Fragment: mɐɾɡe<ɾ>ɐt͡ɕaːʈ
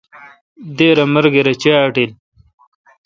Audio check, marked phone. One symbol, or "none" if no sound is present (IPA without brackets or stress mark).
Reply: ɾ